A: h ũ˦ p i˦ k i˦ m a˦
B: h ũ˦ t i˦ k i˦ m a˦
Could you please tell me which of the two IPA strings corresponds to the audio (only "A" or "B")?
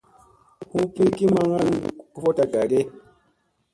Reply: A